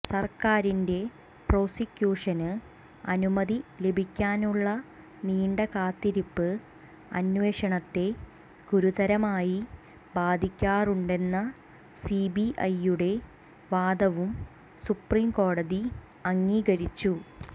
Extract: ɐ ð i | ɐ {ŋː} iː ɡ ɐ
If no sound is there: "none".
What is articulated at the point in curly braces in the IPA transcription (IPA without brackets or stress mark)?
ŋː